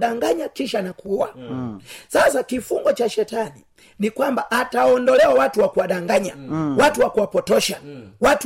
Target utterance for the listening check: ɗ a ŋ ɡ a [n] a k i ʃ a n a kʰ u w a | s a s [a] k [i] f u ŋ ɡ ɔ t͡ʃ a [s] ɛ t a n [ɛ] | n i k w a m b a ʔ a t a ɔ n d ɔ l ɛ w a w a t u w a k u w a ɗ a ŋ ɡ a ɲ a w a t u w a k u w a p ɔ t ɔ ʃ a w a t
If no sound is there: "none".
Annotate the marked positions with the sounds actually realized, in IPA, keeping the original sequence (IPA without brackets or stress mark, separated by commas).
ɲ, a, i, ʃ, i